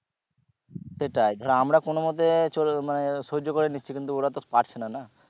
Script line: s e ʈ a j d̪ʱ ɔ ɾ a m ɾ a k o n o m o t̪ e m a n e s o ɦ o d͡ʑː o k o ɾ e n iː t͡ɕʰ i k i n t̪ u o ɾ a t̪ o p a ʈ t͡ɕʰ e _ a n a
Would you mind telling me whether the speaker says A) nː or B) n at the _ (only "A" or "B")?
B